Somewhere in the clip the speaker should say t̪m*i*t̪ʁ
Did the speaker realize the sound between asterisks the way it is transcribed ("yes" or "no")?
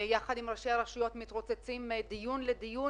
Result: yes